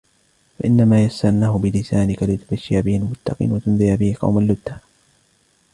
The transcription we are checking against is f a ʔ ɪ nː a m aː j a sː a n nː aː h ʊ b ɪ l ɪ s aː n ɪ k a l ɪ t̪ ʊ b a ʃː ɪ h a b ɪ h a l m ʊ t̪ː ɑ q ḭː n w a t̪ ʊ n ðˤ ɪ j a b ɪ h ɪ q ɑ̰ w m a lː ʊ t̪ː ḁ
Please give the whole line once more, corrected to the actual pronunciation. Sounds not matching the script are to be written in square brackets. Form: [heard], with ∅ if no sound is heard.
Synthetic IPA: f a ʔ ɪ nː a m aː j a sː a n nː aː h ʊ b ɪ l ɪ s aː n ɪ k a l ɪ t̪ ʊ b a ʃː ɪ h a b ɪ h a l m ʊ t̪ː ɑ q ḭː n w a t̪ ʊ n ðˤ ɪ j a b ɪ h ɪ q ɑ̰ w m a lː ʊ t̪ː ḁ